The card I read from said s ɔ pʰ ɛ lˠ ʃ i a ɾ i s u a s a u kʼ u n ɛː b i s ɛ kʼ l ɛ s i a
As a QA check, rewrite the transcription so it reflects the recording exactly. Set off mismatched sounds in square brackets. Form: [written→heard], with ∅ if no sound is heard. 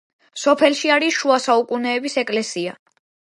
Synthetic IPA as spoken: s ɔ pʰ ɛ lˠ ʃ i a ɾ i [s→ʃ] u a s a u kʼ u n ɛː b i s ɛ kʼ l ɛ s i a